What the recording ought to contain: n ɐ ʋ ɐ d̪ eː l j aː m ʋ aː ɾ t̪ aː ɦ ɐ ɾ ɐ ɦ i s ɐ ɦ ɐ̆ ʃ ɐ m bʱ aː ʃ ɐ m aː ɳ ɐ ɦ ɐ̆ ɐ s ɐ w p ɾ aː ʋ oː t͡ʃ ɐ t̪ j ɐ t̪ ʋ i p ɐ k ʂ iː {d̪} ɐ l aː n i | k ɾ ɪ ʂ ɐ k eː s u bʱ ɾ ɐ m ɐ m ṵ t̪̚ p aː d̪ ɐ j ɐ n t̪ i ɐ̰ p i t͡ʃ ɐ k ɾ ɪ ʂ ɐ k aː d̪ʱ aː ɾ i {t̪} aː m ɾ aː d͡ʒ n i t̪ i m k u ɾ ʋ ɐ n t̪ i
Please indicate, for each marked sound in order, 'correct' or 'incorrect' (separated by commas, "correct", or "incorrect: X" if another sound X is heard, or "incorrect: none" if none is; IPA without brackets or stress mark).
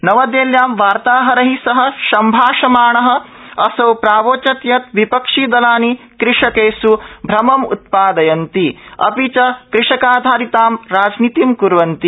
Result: correct, correct